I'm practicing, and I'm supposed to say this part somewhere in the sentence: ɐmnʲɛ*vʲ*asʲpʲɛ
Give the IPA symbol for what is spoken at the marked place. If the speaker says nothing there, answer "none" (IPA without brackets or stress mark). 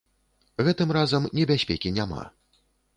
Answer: bʲ